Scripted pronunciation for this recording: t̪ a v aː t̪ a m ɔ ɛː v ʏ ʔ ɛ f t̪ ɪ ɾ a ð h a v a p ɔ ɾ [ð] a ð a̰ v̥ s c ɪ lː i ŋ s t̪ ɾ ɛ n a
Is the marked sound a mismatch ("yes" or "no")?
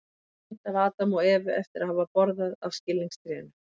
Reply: no